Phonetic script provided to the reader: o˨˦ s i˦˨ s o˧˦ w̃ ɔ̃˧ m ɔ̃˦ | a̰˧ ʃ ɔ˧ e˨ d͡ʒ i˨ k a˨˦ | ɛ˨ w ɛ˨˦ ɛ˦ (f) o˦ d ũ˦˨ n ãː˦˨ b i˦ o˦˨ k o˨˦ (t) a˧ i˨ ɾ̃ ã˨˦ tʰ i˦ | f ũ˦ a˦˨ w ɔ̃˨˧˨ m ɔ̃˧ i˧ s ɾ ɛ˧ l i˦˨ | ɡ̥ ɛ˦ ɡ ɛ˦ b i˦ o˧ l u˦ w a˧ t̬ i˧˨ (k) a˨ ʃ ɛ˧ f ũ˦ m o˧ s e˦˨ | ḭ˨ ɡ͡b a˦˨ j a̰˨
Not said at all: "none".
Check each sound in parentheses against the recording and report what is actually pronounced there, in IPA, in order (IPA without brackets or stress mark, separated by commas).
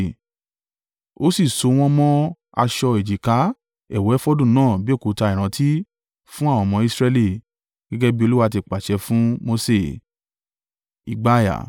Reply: f, t, k͡p